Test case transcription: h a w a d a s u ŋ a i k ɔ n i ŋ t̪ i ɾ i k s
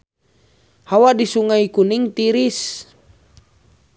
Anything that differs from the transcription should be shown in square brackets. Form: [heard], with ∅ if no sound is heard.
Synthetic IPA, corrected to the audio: h a w a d [i] s u ŋ a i k [u] n i ŋ t̪ i ɾ i [∅] s